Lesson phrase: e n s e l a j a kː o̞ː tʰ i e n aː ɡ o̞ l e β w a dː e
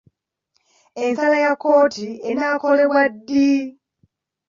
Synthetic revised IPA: e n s a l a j a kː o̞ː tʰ i e n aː k o̞ l e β w a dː i